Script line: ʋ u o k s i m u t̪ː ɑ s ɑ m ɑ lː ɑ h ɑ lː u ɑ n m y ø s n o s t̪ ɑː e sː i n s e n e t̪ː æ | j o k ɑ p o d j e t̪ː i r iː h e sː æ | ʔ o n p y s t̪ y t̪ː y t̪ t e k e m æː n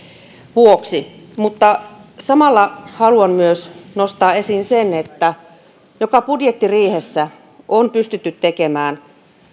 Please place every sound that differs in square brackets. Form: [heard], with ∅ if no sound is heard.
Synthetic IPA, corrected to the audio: ʋ u o k s i m u t̪ː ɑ s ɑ m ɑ lː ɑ h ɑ [l] u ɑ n m y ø s n o s t̪ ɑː e [s] i n s e n e t̪ː æ | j o k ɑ p [u] d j e t̪ː i r iː h e sː æ | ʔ o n p y s t̪ y t̪ː y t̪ t e k e m æː n